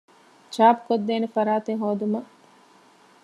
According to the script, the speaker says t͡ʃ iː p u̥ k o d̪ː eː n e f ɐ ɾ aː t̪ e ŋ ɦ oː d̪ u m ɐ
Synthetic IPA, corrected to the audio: t͡ʃ aː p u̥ k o d̪ː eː n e f ɐ ɾ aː t̪ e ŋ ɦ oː d̪ u m ɐ